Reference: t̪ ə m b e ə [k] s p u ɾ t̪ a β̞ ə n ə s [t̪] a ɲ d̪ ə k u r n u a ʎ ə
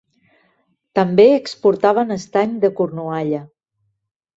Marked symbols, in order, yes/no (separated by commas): yes, yes